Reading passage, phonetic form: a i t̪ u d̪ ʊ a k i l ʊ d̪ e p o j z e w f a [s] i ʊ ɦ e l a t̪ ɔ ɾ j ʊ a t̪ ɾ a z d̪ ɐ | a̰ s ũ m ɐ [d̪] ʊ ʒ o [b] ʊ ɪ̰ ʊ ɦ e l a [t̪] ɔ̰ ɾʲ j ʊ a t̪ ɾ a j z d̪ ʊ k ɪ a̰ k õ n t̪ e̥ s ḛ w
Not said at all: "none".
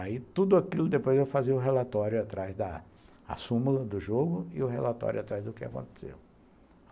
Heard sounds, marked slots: z, d̪, ɡ, t̪

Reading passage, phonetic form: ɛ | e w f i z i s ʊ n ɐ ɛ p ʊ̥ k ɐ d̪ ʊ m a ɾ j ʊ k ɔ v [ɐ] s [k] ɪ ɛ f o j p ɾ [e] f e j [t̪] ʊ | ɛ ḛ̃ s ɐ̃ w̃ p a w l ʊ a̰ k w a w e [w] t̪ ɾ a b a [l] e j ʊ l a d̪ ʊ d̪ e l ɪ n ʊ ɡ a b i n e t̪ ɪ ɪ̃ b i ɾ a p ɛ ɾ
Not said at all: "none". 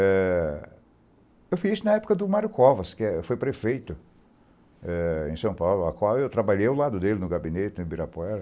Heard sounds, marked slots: ɐ, k, e, t̪, w, ʎ

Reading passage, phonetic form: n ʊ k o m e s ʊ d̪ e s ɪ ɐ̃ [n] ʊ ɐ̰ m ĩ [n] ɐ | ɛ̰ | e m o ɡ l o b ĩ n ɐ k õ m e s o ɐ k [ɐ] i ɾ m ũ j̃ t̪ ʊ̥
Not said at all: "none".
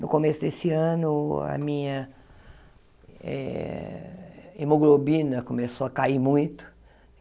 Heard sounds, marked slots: n, ɲ, a

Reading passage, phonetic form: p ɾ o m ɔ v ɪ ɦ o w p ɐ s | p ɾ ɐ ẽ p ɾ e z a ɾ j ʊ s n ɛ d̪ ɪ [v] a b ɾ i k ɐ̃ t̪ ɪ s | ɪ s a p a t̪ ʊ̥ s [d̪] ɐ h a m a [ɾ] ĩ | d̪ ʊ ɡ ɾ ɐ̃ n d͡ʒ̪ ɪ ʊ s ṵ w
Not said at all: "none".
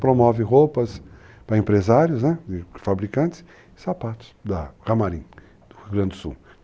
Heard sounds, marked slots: f, d̪, ɾ

